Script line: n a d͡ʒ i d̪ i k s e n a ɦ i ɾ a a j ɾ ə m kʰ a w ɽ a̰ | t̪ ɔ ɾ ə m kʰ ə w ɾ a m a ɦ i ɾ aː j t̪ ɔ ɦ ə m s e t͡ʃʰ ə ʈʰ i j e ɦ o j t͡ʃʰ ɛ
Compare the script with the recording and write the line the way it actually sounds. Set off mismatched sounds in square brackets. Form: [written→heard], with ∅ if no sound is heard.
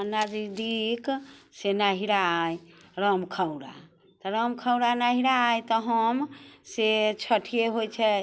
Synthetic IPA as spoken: n a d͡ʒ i d̪ i k s e n a ɦ i ɾ a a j ɾ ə m kʰ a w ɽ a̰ | t̪ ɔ ɾ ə m kʰ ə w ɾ a [m→n] a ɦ i ɾ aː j t̪ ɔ ɦ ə m s e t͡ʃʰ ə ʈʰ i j e ɦ o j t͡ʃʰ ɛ